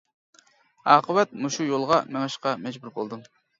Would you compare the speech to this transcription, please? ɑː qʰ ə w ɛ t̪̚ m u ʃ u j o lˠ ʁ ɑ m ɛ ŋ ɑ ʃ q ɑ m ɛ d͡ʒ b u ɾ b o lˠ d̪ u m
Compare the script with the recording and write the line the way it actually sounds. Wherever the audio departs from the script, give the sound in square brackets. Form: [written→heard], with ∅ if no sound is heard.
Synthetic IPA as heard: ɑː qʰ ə w ɛ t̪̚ m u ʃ u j o lˠ ʁ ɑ m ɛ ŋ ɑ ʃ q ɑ m ɛ d͡ʒ b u ɾ b o lˠ d̪ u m